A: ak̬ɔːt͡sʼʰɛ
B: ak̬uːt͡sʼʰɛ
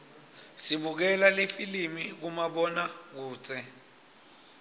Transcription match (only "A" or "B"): B